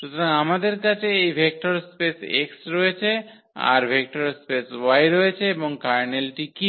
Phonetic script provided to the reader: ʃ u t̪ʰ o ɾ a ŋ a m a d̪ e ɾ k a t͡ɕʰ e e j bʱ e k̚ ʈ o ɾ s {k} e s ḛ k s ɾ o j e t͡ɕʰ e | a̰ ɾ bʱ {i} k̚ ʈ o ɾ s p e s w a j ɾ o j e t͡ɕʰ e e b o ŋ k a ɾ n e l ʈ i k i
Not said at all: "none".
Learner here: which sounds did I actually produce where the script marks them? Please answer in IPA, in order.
p, e

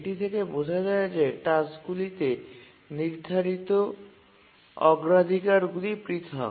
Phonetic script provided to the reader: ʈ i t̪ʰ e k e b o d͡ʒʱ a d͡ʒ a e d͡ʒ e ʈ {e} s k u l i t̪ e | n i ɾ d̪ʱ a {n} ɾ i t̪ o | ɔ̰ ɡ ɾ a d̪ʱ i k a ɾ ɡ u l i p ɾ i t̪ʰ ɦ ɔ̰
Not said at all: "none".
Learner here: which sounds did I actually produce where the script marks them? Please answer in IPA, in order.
a, none

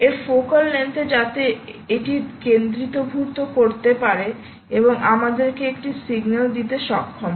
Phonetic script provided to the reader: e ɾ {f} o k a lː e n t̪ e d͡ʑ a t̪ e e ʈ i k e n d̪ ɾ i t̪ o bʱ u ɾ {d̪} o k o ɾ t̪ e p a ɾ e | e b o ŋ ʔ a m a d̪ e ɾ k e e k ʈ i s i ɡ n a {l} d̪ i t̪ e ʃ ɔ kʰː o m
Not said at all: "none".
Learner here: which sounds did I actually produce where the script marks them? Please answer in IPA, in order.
f, t̪, l

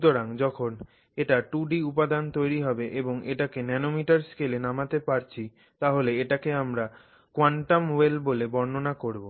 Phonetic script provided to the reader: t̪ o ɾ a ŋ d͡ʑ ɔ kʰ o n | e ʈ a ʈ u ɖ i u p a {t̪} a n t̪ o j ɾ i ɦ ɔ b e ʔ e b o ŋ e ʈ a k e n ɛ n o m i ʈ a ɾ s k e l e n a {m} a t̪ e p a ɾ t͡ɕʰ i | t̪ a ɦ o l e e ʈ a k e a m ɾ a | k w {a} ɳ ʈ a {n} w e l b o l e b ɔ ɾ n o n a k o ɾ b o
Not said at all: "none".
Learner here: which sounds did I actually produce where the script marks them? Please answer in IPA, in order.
d̪, m, a, m

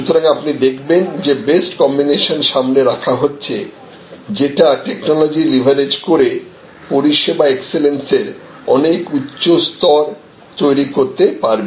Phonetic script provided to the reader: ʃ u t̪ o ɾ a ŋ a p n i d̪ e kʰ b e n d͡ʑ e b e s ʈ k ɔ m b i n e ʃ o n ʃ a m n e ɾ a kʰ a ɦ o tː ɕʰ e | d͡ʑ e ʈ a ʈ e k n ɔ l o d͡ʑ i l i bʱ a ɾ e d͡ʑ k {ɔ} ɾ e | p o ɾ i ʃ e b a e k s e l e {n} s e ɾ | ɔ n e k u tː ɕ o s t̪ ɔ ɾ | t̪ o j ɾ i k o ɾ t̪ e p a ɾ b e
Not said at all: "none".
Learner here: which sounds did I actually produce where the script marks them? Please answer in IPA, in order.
o, n

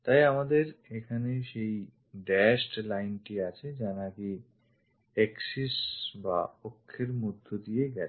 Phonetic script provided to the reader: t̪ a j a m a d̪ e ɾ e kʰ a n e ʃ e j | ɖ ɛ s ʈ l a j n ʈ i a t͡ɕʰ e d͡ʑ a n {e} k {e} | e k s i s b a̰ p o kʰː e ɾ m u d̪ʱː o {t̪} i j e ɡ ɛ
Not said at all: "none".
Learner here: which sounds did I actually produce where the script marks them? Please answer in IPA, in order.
a, i, d̪

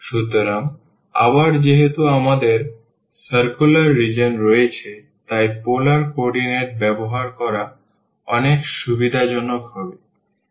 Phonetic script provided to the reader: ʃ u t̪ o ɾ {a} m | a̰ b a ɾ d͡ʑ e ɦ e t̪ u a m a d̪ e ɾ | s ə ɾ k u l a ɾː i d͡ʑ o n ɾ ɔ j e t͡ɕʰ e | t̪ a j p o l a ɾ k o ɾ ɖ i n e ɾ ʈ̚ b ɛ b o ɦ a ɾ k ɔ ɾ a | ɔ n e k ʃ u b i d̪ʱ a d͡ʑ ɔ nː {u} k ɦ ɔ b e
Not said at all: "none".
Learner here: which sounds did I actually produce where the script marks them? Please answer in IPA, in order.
a, o

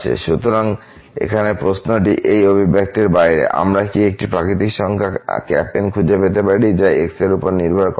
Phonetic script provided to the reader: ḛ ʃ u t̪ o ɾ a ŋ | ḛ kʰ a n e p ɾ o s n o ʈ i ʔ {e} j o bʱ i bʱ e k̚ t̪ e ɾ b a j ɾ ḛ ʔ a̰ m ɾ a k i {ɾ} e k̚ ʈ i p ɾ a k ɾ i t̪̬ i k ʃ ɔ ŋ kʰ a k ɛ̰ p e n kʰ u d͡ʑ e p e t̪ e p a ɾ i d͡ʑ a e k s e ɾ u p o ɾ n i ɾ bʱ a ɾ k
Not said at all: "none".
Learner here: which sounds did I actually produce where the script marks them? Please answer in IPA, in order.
e, none

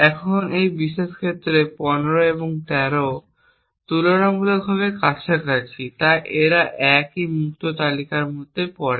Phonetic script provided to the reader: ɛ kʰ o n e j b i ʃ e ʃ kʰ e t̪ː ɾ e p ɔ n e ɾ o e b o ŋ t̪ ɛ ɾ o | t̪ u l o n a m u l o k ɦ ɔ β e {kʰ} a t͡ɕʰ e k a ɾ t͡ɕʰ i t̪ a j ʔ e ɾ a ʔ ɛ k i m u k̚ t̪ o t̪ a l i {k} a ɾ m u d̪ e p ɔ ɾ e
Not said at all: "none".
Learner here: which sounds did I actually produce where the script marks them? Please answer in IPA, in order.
k, k

